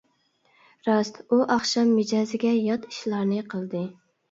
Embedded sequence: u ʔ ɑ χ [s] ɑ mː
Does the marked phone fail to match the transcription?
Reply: yes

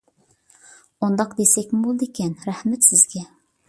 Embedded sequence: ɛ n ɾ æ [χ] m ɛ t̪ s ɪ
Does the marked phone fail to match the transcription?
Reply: yes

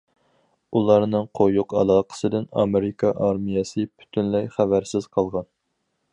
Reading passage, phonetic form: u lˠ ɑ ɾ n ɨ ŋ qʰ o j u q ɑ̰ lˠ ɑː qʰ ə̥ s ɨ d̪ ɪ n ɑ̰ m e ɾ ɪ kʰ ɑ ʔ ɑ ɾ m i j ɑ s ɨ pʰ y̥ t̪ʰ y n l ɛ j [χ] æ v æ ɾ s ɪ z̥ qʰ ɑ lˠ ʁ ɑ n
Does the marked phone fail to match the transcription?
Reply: no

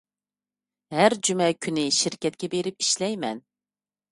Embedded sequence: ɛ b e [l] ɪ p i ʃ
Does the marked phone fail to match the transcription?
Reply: yes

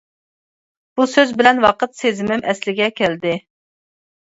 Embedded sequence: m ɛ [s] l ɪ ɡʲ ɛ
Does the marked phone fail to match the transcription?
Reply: no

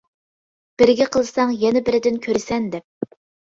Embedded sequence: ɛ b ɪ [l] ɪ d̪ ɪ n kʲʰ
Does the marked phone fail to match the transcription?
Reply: yes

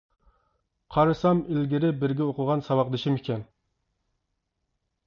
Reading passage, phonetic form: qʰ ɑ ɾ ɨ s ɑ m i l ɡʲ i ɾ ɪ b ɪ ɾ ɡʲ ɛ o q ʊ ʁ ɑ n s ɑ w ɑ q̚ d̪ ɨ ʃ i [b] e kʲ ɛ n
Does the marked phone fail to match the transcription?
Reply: yes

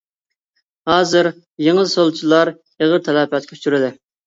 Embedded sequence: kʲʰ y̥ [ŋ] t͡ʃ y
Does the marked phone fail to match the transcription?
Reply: yes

